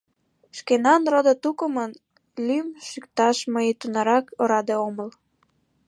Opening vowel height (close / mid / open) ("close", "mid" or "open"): mid